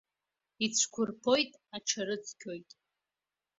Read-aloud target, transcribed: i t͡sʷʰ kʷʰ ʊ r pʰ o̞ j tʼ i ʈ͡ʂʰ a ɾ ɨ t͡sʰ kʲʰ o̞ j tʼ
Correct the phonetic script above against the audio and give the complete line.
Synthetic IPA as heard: i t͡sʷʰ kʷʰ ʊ r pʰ o̞ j tʼ a ʈ͡ʂʰ a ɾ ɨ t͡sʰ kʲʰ o̞ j tʼ